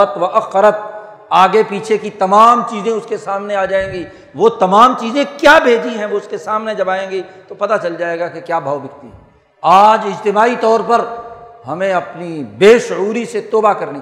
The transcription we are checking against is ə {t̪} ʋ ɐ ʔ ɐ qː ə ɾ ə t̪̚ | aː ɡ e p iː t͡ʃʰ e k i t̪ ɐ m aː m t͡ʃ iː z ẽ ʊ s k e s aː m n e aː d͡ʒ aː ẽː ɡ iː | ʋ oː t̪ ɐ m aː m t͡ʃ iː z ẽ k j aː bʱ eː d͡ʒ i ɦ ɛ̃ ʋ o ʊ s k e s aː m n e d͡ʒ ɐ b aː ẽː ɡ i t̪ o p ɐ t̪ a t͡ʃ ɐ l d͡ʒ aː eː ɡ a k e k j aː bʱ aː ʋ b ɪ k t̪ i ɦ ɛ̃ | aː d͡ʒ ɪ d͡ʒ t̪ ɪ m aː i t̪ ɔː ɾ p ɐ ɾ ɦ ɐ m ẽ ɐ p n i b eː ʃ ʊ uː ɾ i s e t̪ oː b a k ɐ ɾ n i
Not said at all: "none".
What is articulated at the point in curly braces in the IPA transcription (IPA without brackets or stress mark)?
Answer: t̪